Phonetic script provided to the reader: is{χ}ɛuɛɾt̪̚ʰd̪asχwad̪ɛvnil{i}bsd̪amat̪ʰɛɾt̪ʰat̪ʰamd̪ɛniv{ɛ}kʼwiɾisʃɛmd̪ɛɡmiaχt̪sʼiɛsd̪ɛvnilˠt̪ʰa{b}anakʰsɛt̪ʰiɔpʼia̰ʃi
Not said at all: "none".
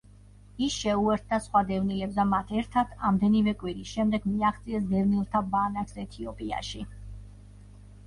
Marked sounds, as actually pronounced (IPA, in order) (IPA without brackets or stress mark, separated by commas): ʃ, ɛ, ɛ, b